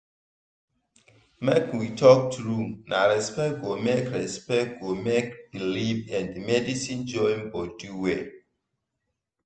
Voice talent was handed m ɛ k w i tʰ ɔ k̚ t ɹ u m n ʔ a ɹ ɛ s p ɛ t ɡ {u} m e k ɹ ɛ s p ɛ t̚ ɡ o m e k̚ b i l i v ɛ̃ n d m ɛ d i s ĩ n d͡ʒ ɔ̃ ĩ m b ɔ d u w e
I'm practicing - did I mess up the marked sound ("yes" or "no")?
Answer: yes